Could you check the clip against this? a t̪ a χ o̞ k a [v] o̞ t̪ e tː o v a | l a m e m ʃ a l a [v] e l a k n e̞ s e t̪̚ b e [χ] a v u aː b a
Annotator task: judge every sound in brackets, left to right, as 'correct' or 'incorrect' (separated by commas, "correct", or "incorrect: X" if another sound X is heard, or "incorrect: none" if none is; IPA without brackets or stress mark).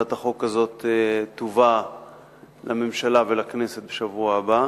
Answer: incorrect: z, correct, incorrect: ʃ